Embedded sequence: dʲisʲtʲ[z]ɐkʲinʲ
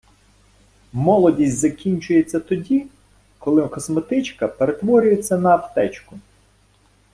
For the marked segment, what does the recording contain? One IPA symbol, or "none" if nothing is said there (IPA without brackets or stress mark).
z